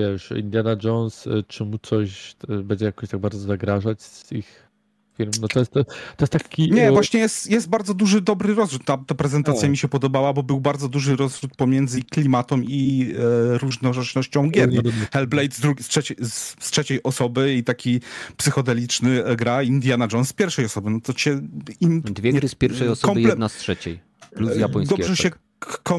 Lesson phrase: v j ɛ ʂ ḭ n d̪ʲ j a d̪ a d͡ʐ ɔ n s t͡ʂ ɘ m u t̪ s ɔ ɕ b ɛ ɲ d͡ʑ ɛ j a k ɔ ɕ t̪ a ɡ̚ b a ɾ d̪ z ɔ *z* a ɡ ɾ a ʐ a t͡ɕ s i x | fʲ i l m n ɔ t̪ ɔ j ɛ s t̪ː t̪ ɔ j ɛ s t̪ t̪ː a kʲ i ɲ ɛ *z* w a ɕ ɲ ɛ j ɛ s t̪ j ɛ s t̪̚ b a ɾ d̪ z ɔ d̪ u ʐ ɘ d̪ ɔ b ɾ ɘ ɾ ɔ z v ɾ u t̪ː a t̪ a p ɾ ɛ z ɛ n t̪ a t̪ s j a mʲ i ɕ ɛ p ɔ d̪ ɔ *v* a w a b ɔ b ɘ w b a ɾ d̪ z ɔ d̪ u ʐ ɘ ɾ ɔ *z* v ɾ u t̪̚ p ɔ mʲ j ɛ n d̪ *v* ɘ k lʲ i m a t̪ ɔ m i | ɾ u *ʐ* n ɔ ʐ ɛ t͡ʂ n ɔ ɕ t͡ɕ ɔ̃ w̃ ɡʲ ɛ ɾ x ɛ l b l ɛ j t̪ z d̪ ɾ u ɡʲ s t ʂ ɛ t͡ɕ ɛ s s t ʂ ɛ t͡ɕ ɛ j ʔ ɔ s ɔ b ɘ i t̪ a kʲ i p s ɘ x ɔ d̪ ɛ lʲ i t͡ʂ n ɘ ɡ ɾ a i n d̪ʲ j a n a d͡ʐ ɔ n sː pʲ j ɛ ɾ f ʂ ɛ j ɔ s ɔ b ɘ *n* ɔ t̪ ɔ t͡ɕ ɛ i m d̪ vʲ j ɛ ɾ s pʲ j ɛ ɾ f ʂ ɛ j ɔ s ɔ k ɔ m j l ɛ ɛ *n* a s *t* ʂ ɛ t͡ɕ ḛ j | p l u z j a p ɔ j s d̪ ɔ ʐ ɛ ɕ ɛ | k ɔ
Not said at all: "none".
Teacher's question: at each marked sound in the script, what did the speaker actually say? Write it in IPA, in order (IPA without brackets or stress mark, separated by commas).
z, v, b, z, z, ʐ, n, n, t